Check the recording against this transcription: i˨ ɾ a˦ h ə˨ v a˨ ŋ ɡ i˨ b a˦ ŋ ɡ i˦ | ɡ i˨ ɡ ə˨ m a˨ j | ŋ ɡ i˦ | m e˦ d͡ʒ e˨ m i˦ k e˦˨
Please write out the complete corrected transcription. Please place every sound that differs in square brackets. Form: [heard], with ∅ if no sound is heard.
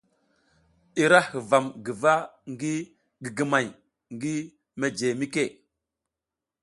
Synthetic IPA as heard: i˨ ɾ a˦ h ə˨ v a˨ [m] ɡ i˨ [v] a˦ ŋ ɡ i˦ | ɡ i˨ ɡ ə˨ m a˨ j | ŋ ɡ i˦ | m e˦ d͡ʒ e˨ m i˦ k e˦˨